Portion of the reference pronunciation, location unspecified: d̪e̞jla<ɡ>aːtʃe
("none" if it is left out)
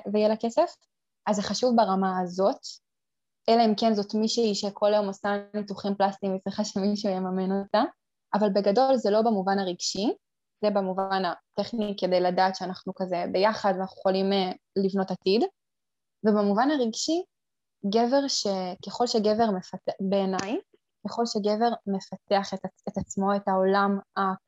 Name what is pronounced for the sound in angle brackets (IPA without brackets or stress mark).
d